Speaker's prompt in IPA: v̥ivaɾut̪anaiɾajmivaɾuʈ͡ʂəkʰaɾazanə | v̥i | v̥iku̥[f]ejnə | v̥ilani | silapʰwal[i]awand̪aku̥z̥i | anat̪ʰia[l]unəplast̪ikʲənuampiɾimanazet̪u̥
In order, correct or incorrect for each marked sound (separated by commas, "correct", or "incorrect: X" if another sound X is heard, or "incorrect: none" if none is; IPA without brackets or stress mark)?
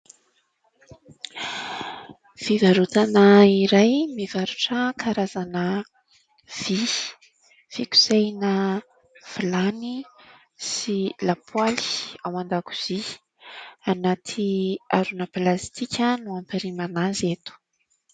incorrect: s, correct, incorrect: ɾ